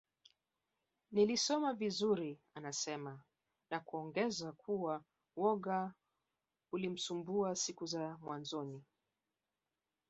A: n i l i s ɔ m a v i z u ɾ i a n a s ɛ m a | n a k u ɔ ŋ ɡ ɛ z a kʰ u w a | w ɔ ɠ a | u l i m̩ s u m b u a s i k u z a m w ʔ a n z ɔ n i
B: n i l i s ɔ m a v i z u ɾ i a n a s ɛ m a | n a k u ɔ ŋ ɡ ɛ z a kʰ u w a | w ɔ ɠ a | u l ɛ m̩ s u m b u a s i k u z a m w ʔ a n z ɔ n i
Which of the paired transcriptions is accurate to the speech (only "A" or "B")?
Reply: A